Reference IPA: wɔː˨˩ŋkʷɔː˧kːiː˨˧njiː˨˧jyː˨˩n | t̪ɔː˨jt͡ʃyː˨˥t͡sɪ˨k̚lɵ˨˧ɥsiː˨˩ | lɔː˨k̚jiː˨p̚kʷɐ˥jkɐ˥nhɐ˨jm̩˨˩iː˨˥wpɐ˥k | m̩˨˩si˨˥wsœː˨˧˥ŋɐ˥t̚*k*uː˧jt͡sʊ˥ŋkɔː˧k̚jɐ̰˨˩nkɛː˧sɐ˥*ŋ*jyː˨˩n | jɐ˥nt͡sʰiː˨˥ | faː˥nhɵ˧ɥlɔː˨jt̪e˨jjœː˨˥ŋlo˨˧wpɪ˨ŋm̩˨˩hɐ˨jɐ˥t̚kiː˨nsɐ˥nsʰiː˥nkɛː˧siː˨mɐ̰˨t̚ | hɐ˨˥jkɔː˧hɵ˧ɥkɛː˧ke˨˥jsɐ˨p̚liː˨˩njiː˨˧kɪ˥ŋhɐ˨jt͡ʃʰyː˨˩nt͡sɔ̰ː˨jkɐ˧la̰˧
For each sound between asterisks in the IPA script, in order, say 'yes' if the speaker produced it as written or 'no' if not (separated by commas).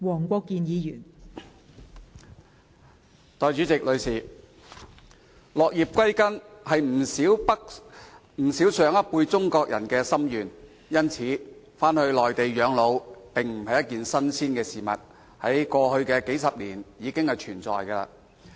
no, no